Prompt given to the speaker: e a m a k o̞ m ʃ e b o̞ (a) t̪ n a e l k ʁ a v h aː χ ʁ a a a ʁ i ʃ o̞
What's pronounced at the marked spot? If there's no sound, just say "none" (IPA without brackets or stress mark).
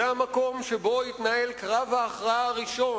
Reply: i